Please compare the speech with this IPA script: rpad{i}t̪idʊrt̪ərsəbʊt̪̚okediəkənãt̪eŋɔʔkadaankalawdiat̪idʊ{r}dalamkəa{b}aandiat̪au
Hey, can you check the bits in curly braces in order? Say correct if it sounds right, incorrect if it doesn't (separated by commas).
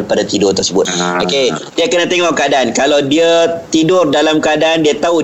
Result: incorrect, correct, incorrect